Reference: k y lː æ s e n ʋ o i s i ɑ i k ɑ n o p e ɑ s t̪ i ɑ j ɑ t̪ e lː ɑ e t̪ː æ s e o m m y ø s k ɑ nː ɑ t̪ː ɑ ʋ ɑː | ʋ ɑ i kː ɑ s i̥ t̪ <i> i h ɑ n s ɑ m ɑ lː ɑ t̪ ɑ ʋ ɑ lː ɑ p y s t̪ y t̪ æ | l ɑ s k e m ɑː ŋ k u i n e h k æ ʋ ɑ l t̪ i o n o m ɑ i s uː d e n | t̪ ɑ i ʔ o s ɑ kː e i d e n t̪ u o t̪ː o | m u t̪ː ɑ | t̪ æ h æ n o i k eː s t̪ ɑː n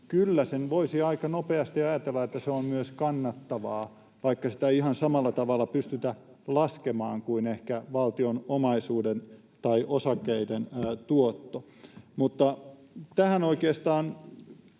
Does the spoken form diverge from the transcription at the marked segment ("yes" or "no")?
yes